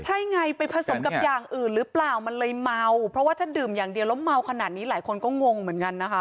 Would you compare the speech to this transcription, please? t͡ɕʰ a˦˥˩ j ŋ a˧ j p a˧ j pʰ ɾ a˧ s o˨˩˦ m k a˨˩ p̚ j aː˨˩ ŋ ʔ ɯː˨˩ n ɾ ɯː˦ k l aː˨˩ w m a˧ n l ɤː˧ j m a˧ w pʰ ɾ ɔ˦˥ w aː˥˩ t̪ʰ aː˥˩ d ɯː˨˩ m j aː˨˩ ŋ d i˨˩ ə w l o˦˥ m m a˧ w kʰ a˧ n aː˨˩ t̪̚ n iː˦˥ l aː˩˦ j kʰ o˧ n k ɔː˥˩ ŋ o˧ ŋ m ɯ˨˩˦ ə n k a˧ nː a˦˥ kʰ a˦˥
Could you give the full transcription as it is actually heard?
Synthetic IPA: t͡ɕʰ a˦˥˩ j ŋ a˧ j p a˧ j pʰ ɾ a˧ s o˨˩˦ m k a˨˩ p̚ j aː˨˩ ŋ ʔ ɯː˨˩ n ɾ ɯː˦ p l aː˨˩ w m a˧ n l ɤː˧ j m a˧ w pʰ ɾ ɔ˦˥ w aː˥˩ t̪ʰ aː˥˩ d ɯː˨˩ m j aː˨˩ ŋ d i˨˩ ə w l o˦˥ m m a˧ w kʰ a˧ n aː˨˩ t̪̚ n iː˦˥ l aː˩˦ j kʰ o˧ n k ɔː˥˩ ŋ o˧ ŋ m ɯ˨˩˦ ə n k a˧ nː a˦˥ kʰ a˦˥

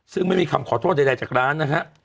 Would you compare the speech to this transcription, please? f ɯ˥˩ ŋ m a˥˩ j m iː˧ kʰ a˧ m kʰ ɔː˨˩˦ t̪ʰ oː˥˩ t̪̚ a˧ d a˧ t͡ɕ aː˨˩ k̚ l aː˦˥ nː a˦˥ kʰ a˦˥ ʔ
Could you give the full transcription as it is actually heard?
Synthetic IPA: s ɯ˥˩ ŋ m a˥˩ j m iː˧ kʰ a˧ m kʰ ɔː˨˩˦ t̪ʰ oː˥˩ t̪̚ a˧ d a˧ t͡ɕ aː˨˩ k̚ ɾ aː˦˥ nː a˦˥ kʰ a˦˥ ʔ

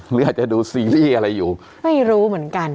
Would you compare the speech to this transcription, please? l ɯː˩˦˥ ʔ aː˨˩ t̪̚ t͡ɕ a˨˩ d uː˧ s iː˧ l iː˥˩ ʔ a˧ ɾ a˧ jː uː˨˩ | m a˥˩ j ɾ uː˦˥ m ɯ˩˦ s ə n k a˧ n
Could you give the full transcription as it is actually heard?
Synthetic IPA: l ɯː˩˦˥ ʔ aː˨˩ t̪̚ t͡ɕ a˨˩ d uː˧ s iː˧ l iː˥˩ ʔ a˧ ɾ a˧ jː uː˨˩ | m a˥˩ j ɾ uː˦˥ m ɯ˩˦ ə n k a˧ n

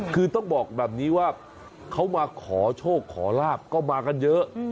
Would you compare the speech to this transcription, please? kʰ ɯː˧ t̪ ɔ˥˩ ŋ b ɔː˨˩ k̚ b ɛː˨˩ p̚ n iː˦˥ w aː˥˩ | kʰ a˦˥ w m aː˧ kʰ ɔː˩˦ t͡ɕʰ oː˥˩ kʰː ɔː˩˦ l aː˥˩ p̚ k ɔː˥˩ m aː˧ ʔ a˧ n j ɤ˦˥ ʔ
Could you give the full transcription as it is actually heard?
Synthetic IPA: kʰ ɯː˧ t̪ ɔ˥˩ ŋ b ɔː˨˩ k̚ b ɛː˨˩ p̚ n iː˦˥ w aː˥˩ | kʰ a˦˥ w m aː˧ kʰ ɔː˩˦ t͡ɕʰ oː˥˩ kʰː ɔː˩˦ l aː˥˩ p̚ k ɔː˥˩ m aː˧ k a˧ n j ɤ˦˥ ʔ

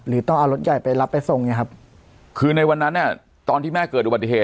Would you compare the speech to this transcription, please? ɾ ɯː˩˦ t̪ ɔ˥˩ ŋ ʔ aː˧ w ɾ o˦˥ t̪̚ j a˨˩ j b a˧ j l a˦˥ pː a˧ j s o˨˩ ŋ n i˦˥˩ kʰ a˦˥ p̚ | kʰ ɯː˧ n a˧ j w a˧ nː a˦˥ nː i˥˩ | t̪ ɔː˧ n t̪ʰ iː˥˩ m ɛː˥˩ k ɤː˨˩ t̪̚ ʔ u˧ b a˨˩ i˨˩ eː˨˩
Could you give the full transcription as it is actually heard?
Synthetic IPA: ɾ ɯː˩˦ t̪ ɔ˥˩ ŋ ʔ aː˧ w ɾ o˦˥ t̪̚ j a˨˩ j p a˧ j l a˦˥ pː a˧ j s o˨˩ ŋ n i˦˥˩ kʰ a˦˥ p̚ | kʰ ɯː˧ n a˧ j w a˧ nː a˦˥ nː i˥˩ | t̪ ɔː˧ n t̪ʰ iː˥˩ m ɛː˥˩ k ɤː˨˩ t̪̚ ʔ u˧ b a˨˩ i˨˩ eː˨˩

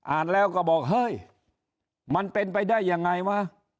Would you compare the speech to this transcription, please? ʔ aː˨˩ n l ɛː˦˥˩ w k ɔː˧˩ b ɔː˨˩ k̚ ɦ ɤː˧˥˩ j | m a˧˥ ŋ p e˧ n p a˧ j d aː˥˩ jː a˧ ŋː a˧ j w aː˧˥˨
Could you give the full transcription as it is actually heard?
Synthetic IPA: ʔ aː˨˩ n l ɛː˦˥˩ w k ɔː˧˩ b ɔː˨˩ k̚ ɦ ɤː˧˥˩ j | m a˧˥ n p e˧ n p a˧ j d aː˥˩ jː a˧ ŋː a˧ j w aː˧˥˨

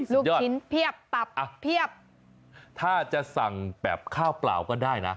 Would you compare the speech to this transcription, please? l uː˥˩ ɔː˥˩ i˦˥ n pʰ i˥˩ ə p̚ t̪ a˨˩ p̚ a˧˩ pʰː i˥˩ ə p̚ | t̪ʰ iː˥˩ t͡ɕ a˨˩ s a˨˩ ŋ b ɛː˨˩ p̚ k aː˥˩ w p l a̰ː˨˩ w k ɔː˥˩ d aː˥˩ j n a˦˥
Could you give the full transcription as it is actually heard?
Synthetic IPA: l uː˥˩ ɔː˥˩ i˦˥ n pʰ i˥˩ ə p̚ t̪ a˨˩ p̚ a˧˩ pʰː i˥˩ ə p̚ | t̪ʰ aː˥˩ t͡ɕ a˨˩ s a˨˩ ŋ b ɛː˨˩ p̚ kʰ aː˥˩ w p l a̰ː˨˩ w k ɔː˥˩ d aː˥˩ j n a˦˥

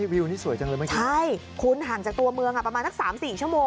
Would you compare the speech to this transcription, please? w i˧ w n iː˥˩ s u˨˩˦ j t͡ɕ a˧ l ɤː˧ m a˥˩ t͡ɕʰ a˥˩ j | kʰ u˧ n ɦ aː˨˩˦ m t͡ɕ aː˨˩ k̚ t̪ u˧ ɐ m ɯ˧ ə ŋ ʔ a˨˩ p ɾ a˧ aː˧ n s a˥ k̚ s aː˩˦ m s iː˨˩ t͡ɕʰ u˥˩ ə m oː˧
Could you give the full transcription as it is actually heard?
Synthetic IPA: w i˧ w n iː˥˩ s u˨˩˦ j t͡ɕ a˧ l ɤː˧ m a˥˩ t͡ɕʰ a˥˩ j | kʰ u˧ n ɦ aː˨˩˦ ŋ t͡ɕ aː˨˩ k̚ t̪ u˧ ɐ m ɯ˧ ə ŋ ʔ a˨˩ p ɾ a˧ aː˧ n s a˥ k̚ s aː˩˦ m s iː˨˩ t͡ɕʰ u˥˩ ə m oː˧

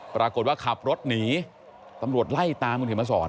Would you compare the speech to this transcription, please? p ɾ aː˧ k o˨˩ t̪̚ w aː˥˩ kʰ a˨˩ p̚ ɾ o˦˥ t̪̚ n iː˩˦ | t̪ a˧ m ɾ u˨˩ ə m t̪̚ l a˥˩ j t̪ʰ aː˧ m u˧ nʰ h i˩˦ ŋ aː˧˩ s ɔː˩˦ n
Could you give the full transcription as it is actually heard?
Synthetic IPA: p ɾ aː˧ k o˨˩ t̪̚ w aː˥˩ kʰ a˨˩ p̚ ɾ o˦˥ t̪̚ n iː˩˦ | t̪ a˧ m ɾ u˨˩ ə t̪̚ l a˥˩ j t̪ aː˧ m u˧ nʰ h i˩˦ m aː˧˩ s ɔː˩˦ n

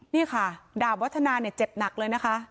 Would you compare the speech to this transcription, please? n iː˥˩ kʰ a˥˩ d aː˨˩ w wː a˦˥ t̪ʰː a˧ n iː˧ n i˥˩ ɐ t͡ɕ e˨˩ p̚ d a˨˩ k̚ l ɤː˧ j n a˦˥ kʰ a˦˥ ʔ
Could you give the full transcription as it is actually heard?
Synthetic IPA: n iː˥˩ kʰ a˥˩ d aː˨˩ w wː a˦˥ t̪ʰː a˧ n aː˧ n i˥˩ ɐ t͡ɕ e˨˩ p̚ n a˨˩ k̚ l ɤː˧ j n a˦˥ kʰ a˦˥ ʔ

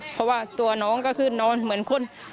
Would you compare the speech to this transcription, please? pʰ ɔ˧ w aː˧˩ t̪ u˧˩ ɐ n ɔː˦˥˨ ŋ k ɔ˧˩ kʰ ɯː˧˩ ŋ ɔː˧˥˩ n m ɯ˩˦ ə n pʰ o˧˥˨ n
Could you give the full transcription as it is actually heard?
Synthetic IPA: pʰ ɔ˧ w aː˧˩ t̪ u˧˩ ɐ n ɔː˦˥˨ ŋ k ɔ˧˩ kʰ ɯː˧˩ n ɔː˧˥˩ n m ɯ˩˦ ə n kʰ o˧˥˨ n

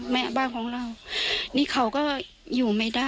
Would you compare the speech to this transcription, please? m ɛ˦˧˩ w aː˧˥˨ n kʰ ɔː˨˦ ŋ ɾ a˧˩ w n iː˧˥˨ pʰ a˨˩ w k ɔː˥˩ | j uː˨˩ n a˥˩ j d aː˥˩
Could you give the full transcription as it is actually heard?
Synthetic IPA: m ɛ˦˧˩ b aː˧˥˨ n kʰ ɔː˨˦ ŋ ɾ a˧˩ w n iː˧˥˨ kʰ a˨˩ w k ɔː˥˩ | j uː˨˩ m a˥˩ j d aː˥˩

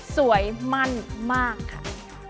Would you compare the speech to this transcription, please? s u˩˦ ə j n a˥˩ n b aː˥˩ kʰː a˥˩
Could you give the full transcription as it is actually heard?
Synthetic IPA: s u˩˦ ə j m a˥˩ n m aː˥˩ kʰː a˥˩

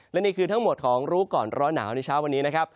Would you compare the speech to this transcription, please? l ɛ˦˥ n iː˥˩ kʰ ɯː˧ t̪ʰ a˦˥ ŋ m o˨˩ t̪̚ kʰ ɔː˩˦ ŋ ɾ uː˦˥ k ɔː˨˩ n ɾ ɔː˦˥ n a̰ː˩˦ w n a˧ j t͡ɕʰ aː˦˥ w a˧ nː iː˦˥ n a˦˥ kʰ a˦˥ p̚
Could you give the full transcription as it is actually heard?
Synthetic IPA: l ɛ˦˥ n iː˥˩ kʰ ɯː˧ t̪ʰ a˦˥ ŋ m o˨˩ t̪̚ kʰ ɔː˩˦ ŋ ɾ uː˦˥ k ɔː˨˩ n ɾ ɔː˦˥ n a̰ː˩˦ w n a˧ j t͡ɕʰ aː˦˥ w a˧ nː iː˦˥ n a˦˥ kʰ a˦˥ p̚

